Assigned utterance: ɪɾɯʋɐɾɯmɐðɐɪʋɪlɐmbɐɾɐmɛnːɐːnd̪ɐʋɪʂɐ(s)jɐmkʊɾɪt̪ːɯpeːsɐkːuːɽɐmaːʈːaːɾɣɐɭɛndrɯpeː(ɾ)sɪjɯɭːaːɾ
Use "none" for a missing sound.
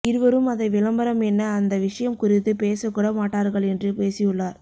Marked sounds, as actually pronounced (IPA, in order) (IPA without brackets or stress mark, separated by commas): none, none